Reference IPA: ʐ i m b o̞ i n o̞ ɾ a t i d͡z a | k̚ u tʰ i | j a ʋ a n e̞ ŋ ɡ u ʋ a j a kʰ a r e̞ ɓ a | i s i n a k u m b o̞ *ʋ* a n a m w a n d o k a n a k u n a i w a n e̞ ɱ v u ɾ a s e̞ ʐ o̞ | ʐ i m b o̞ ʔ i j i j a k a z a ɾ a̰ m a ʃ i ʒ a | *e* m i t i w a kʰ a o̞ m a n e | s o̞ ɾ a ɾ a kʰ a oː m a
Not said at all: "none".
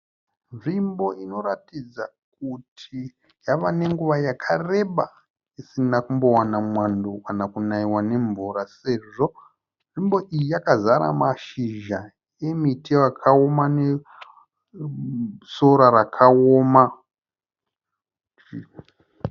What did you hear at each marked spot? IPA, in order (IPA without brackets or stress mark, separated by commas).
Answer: w, e